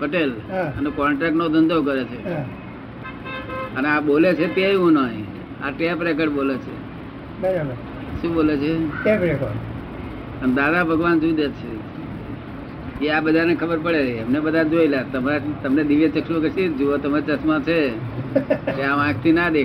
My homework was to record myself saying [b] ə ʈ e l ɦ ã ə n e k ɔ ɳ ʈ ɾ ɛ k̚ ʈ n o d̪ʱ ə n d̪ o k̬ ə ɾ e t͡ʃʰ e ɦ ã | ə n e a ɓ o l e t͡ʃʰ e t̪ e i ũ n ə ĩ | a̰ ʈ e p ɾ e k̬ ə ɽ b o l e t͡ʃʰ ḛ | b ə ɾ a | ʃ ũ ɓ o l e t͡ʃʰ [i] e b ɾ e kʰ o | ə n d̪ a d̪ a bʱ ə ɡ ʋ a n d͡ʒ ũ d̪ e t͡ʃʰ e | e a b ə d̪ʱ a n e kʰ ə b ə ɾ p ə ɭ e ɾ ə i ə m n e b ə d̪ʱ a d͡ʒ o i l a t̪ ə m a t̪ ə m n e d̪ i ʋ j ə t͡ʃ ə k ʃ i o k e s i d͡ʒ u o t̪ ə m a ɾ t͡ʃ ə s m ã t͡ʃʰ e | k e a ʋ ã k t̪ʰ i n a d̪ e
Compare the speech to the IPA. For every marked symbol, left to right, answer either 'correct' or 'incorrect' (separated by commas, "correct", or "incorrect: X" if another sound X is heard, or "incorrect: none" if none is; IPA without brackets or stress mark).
incorrect: p, incorrect: e